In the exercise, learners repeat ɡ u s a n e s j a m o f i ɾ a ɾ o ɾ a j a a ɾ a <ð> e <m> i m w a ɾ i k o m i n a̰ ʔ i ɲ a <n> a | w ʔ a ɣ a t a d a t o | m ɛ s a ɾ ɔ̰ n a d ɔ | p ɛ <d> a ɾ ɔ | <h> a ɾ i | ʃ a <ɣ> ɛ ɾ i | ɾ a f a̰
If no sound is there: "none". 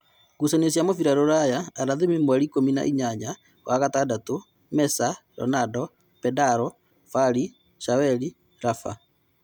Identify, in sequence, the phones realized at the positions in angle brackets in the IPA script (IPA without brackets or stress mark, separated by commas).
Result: ð, m, ɲ, d, f, w